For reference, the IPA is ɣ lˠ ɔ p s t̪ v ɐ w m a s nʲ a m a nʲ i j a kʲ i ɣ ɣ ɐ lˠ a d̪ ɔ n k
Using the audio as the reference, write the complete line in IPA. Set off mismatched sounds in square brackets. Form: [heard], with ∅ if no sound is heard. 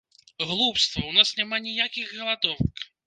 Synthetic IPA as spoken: ɣ lˠ [u] p s t̪ v ɐ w [n] a s nʲ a m a nʲ i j a kʲ i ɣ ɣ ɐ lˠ a d̪ ɔ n k